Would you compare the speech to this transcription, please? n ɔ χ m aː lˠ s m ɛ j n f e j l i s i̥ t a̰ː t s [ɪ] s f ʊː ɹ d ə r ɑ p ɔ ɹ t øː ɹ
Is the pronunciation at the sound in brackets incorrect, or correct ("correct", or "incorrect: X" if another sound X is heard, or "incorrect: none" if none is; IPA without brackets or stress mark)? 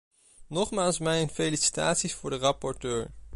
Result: incorrect: i